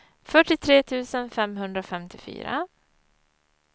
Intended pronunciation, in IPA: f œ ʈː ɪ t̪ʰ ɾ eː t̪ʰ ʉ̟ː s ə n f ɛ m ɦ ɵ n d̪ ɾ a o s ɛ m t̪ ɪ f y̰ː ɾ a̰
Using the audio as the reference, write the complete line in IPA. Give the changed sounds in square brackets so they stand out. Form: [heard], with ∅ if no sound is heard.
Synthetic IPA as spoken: f œ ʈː ɪ t̪ʰ ɾ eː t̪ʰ ʉ̟ː s ə n f ɛ m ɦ ɵ n d̪ ɾ a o [f] ɛ m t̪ ɪ f y̰ː ɾ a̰